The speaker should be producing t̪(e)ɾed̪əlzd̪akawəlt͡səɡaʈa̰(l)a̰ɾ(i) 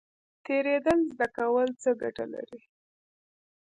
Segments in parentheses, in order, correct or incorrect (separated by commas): correct, correct, correct